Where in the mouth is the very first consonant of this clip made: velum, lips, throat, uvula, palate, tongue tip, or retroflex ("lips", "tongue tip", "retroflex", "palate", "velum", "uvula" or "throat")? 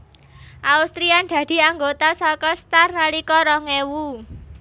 throat